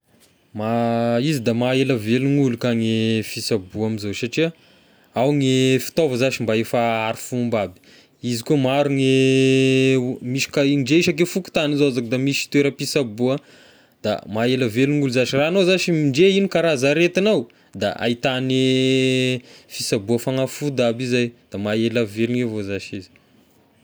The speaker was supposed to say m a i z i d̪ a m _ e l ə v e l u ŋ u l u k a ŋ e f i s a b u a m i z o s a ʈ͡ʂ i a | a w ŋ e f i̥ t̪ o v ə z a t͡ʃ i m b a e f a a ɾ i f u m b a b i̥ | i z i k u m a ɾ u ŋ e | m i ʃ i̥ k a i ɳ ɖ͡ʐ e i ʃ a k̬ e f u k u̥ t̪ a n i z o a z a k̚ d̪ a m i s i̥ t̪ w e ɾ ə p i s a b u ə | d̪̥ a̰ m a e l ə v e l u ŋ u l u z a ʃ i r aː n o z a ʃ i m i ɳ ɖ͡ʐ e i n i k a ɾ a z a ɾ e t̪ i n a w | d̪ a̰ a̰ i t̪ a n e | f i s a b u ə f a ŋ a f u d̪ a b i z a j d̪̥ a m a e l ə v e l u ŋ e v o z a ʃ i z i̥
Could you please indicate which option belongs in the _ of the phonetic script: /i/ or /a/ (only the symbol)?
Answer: a